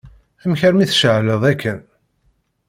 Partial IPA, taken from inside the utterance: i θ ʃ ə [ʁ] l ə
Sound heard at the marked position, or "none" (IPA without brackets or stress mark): ʕ